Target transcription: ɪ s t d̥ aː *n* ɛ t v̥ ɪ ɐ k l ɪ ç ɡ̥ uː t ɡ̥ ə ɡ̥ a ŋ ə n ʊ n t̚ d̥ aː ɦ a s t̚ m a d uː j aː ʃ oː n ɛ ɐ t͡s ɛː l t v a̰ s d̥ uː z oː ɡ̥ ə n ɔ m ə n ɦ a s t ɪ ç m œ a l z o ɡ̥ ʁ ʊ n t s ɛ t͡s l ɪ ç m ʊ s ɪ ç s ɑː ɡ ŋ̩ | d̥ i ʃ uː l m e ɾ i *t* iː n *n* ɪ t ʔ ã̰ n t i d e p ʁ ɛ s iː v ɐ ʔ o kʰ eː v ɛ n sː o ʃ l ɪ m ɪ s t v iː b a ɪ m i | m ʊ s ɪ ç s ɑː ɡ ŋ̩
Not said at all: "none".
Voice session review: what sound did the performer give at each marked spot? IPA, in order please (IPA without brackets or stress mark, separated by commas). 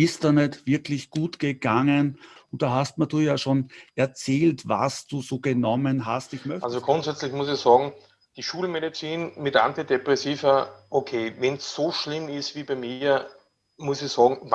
n, t͡s, m